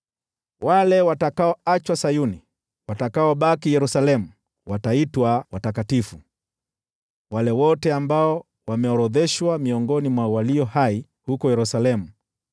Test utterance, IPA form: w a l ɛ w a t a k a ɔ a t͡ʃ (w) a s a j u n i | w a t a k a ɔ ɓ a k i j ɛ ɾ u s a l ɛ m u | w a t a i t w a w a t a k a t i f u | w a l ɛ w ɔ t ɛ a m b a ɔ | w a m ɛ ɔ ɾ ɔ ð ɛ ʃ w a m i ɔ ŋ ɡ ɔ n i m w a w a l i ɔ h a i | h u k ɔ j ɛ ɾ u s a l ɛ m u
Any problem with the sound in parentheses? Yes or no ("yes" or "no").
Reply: no